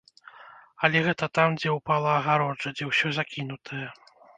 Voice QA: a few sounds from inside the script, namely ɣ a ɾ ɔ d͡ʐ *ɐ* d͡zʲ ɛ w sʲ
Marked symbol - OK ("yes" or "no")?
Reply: yes